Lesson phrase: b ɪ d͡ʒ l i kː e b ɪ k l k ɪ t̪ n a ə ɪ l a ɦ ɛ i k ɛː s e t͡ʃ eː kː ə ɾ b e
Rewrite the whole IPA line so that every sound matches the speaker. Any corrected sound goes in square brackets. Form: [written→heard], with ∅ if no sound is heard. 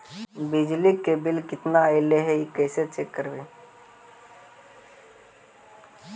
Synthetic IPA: b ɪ d͡ʒ l i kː e b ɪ [k→∅] l k ɪ t̪ n a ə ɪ l [a→e] ɦ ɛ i k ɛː s e t͡ʃ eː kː ə ɾ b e